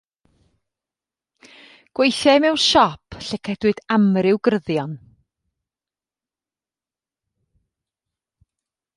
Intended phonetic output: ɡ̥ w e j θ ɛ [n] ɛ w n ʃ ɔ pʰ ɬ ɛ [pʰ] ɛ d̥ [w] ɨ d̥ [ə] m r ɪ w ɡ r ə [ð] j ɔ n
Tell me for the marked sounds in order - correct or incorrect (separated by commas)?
incorrect, incorrect, correct, incorrect, correct